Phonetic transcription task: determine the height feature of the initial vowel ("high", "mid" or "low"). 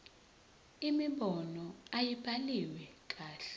high